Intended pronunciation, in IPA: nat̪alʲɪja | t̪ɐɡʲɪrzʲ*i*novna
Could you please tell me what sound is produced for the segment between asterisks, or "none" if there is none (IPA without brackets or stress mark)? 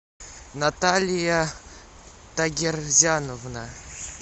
a